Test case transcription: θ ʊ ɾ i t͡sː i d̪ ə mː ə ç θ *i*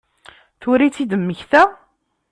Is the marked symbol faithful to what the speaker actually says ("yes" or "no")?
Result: no